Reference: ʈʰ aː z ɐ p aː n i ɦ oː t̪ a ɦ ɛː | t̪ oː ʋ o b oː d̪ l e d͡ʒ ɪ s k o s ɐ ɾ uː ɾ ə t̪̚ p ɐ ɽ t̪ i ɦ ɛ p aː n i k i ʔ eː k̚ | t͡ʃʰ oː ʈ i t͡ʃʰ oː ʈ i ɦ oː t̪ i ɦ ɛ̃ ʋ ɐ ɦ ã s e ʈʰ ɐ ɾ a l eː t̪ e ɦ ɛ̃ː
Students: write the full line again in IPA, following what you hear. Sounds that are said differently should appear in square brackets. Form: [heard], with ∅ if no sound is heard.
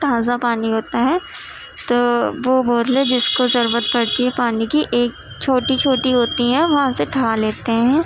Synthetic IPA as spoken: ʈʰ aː z [a] p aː n i ɦ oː t̪ a ɦ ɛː | t̪ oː ʋ o b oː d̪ l e d͡ʒ ɪ s k o [z] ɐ ɾ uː ɾ ə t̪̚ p ɐ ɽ t̪ i ɦ ɛ p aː n i k i ʔ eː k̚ | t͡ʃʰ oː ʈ i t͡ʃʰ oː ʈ i ɦ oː t̪ i ɦ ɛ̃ ʋ ɐ ɦ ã s e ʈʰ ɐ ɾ a l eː t̪ e ɦ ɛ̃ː